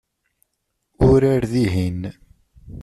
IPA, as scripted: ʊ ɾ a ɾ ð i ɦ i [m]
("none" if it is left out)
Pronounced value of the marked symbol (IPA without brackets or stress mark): n